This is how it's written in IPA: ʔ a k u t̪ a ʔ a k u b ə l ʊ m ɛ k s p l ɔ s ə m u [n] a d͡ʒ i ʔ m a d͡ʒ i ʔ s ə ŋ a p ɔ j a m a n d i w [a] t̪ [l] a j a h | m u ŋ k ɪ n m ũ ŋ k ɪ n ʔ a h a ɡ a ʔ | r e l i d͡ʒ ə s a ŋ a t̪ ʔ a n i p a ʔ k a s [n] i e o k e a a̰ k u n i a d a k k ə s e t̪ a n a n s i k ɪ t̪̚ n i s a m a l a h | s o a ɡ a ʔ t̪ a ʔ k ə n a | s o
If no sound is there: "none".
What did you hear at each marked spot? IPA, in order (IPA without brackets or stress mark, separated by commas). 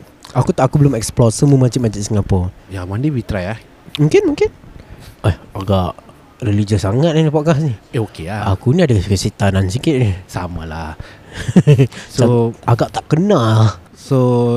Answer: m, i, ɾ, n